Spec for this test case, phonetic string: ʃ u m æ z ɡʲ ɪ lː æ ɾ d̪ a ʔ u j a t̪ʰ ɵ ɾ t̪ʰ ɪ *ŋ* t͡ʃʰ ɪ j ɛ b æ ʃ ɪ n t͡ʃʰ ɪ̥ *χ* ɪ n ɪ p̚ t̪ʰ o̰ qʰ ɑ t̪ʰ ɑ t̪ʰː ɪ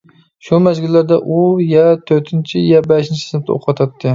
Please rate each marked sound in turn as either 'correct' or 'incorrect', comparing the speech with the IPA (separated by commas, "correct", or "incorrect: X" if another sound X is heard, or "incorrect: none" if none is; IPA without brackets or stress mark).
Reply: incorrect: n, incorrect: s